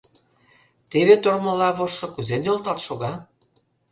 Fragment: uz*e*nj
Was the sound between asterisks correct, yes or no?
yes